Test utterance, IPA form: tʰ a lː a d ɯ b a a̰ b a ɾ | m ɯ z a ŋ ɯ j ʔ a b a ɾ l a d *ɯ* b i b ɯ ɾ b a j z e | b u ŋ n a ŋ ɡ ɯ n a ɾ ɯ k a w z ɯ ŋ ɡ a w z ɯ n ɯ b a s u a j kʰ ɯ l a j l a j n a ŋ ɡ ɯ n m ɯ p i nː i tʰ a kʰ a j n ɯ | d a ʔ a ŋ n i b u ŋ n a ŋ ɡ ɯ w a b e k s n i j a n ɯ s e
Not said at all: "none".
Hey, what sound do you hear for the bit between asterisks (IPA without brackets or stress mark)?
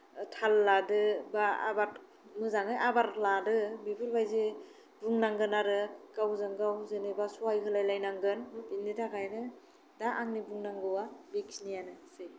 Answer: ɯ